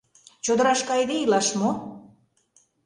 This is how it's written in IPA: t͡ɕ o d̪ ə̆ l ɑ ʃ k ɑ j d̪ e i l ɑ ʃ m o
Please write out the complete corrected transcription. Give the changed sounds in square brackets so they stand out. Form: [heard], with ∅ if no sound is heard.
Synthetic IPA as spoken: t͡ɕ o d̪ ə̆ [ɾ] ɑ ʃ k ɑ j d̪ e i l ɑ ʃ m o